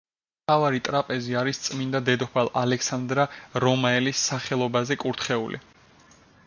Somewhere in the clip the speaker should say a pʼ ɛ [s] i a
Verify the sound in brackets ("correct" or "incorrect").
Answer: incorrect